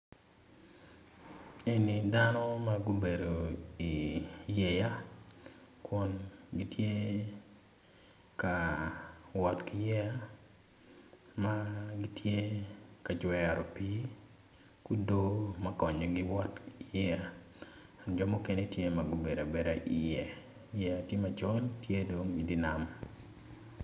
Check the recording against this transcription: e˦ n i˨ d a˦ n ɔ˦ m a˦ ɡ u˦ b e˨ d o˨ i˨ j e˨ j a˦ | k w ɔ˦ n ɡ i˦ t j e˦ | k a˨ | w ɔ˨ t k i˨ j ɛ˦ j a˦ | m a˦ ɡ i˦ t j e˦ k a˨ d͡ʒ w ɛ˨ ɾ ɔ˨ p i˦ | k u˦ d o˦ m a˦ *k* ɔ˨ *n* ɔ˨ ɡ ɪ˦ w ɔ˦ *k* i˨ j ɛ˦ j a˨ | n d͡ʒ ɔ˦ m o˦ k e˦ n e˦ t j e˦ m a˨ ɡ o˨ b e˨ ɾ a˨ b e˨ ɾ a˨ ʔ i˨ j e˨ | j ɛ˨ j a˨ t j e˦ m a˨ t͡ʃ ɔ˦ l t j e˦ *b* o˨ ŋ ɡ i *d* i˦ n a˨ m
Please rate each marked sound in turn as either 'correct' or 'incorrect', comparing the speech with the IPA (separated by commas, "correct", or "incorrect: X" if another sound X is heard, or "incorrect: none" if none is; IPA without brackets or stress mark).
correct, incorrect: ɲ, incorrect: t, incorrect: d, correct